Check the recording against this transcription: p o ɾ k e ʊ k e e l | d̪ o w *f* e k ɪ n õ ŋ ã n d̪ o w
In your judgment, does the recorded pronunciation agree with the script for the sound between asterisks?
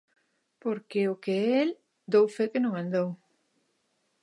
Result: yes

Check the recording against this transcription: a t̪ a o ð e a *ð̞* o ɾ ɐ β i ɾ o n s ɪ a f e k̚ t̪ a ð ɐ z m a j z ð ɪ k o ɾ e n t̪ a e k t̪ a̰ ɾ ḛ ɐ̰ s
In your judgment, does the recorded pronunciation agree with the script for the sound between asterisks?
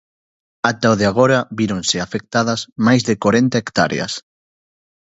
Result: no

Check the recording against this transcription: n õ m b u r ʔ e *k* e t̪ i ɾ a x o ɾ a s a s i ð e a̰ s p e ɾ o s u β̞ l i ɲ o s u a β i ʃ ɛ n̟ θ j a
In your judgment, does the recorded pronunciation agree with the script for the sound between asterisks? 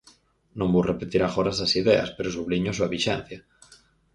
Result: no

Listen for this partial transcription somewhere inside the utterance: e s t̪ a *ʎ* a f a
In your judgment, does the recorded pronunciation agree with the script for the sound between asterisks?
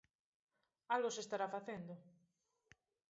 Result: no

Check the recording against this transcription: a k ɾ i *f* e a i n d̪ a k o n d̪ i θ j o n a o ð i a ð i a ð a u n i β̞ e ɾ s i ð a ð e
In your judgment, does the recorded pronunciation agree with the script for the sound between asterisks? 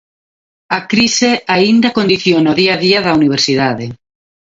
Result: no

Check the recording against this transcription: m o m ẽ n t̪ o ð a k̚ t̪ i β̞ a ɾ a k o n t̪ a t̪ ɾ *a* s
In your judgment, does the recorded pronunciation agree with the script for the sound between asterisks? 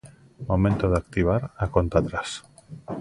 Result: yes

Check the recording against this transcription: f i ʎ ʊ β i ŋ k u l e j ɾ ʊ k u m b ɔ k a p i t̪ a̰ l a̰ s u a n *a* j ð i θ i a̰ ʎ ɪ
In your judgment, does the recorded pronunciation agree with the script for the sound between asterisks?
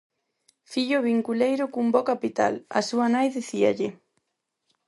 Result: yes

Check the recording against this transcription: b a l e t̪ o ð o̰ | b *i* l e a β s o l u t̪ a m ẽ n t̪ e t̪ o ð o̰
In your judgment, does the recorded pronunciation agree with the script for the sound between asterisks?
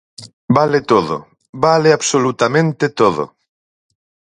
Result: no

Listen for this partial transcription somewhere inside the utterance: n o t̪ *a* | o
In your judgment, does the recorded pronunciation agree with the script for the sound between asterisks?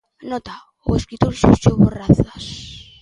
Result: yes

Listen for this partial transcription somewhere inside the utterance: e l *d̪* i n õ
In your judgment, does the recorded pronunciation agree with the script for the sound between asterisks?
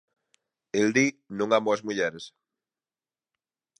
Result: yes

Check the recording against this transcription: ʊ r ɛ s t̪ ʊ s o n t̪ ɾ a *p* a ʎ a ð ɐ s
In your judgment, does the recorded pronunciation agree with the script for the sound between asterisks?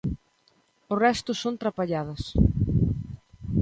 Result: yes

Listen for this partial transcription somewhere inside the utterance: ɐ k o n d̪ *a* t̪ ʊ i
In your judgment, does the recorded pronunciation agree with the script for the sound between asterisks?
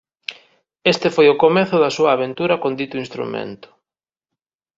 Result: no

